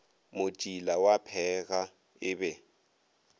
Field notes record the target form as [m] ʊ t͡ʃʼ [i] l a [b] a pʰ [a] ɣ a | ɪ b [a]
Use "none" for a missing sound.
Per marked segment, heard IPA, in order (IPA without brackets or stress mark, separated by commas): m, i, w, ɛ, ɛ